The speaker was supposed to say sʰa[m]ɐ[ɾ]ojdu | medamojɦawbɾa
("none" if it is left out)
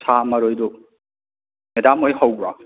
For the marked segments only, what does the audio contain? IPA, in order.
m, ɾ

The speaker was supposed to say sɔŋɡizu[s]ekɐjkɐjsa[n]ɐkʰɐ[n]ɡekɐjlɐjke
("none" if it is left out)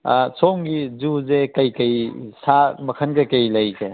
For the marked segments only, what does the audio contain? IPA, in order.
z, m, n

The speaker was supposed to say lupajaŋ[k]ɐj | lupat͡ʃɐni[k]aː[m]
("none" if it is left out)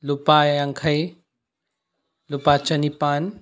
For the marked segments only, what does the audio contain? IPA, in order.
kʰ, p, n

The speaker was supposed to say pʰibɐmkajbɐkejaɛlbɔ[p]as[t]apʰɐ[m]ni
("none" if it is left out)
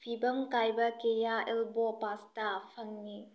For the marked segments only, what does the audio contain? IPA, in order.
p, t, ŋ

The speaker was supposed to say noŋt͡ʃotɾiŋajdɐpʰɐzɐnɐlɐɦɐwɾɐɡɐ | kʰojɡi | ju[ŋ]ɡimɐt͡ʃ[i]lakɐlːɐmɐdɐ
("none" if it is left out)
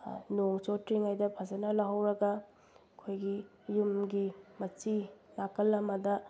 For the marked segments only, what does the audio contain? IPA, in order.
m, i

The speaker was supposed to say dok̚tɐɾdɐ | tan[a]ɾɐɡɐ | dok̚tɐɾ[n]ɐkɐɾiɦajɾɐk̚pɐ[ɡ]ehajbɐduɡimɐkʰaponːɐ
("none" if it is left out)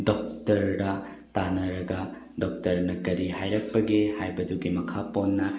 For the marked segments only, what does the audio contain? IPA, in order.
ɐ, n, ɡ

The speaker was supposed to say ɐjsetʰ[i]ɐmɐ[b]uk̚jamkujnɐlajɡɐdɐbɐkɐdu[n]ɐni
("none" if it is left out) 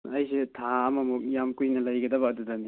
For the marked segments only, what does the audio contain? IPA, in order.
a, m, d

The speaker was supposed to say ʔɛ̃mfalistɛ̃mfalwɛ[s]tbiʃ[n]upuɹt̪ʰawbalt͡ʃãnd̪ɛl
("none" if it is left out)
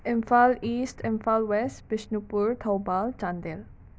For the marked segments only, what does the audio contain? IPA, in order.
s, n

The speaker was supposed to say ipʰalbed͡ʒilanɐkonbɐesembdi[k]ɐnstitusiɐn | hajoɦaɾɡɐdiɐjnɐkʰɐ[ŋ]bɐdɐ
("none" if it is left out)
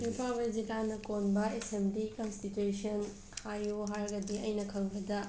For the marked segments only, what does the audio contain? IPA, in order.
k, ŋ

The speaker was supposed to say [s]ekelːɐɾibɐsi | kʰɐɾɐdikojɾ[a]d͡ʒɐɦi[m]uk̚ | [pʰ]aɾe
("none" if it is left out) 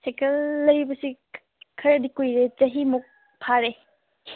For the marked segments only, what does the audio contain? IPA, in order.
s, e, m, pʰ

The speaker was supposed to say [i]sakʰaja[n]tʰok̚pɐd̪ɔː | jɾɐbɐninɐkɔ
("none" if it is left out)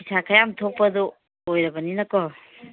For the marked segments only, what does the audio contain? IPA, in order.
i, m

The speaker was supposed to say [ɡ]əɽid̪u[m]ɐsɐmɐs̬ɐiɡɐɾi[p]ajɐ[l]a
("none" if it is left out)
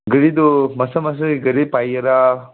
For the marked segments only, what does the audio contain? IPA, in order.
ɡ, m, p, ɾ

